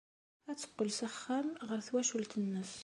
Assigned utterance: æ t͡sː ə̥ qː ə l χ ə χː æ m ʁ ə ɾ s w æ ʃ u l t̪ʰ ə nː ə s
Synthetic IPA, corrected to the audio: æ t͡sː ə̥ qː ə l s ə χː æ m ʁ ə ɾ θ w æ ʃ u l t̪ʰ ə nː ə s